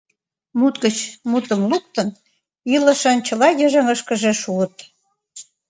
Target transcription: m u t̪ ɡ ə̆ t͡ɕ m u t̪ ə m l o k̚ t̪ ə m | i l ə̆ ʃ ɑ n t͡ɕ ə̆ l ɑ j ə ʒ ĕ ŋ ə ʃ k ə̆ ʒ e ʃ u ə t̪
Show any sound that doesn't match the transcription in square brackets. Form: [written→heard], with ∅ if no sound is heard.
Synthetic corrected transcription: m u t̪ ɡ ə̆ t͡ɕ m u t̪ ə m l [o→u] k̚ t̪ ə [m→n] | i l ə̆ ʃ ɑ n t͡ɕ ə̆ l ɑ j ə ʒ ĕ ŋ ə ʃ k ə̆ ʒ e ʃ u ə t̪

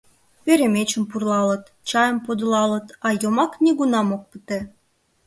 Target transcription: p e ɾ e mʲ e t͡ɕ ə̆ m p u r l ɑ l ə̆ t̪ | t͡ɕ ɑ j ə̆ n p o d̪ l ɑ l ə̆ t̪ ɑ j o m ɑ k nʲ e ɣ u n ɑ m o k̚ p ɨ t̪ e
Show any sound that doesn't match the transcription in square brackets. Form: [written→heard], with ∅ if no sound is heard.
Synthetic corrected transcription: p e ɾ e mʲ e t͡ɕ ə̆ m p u r l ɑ l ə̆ t̪ | t͡ɕ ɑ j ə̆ [n→m] p o d̪ l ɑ l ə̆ t̪ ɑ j o m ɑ k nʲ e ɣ u n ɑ m o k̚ p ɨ t̪ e

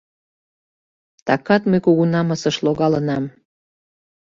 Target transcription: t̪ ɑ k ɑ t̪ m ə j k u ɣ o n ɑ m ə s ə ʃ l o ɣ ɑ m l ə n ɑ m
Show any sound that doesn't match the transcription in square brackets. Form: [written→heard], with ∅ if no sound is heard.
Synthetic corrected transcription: t̪ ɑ k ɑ t̪ m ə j k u ɣ [o→u] n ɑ m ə s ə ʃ l o ɣ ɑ [m→∅] l ə n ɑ m

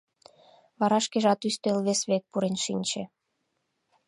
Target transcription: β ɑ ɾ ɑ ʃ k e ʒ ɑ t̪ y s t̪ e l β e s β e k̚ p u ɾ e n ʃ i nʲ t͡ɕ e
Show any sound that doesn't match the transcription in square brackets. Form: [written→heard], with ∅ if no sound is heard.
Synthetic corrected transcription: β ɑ ɾ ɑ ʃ k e ʒ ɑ t̪ y s t̪ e l β e s β e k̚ p u ɾ e n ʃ i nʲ t͡ɕ e

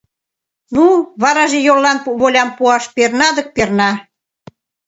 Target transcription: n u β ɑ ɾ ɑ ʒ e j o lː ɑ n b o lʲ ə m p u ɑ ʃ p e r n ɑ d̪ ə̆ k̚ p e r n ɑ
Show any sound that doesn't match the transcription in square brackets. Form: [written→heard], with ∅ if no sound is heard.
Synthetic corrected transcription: n u β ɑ ɾ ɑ ʒ e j o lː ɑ n [b→β] o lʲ [ə→ɑ] m p u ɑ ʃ p e r n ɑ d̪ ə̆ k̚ p e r n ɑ

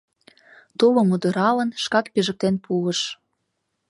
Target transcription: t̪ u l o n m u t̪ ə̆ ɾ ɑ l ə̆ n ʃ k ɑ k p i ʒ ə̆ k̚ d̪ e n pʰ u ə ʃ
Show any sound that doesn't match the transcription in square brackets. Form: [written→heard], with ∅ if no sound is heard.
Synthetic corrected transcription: t̪ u l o [n→∅] m u [t̪→d̪] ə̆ ɾ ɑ l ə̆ n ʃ k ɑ k p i ʒ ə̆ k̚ [d̪→t̪] e n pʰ u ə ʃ

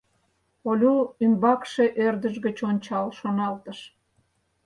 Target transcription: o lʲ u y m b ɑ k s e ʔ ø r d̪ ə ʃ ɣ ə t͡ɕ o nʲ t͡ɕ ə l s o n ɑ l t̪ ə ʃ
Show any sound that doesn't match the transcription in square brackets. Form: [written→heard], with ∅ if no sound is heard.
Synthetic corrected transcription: o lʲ u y m b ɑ k [s→ʃ] e ʔ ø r d̪ ə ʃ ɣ ə t͡ɕ o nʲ t͡ɕ [ə→ɑ] l [s→ʃ] o n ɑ l t̪ ə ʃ

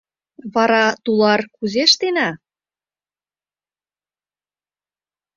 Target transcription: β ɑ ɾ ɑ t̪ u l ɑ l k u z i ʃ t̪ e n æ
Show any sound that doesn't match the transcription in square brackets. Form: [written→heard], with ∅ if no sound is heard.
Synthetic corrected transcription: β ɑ ɾ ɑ t̪ u l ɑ [l→r] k u z [i→e] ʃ t̪ e n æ

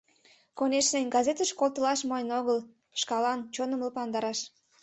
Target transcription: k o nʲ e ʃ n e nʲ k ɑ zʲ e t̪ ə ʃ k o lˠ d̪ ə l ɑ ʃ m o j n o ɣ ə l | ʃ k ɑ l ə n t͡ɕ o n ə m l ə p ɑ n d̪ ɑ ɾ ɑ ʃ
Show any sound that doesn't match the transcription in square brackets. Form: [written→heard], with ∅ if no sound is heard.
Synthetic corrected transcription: k o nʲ e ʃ n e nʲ [k→ɡ] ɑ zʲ e t̪ ə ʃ k o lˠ [d̪→t̪] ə l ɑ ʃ m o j n o ɣ ə l | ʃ k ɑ l [ə→ɑ] n t͡ɕ o n ə m l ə p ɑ n d̪ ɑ ɾ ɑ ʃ

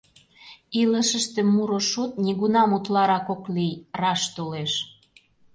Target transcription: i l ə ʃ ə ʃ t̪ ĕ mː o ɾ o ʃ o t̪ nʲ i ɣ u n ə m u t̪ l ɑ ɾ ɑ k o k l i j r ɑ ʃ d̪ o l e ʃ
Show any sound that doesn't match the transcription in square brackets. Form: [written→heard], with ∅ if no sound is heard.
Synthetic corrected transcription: i l ə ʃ ə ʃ t̪ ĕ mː [o→u] ɾ o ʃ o t̪ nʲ i ɣ u n [ə→ɑ] m u t̪ l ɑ ɾ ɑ k o k l i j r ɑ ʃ [d̪→t̪] o l e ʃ

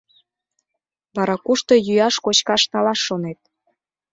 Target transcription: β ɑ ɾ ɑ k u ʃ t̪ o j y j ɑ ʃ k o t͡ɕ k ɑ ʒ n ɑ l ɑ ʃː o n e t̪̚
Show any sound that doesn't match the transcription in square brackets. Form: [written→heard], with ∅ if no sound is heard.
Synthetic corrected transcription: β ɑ ɾ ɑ k u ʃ t̪ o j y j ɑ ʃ k o t͡ɕ k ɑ [ʒ→ʃ] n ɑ l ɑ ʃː o n e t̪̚

